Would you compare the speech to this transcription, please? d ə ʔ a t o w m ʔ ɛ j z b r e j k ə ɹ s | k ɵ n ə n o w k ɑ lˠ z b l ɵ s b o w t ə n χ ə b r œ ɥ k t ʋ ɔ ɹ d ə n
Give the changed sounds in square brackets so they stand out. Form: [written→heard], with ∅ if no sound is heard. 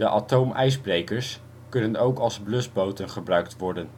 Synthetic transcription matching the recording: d ə ʔ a t o w m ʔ ɛ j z b r e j k ə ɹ s | k ɵ n ə n o w k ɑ lˠ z b l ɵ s b o w t ə n χ ə b r œ ɥ k t ʋ ɔ ɹ d ə n